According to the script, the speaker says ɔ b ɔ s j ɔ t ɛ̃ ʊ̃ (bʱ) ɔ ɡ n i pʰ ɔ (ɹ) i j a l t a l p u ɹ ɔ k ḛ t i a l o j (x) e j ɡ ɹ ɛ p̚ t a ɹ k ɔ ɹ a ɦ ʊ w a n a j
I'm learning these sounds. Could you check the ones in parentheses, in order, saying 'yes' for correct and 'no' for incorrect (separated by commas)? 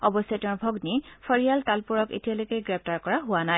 yes, yes, no